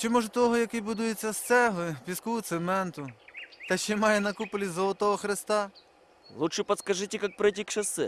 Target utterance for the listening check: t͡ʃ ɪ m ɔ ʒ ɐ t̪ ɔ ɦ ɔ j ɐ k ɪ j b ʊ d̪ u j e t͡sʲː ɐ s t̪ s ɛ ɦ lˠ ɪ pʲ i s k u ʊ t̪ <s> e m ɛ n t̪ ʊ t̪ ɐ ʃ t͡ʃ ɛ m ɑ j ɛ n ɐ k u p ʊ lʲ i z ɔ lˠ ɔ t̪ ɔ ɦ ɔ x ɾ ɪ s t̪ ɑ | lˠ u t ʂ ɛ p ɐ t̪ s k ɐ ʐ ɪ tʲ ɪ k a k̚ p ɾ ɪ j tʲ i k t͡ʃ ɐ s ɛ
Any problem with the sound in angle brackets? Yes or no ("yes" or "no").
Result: no